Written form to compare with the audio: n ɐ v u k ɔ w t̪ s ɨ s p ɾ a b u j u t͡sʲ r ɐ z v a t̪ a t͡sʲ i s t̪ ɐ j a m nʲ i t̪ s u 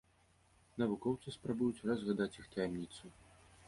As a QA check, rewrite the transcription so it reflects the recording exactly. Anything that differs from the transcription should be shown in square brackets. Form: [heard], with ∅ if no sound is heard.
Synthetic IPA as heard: n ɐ v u k ɔ w t̪ s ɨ s p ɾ a b u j u t͡sʲ r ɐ z [ɣ] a [d̪] a t͡sʲ i [x] t̪ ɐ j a m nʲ i t̪ s u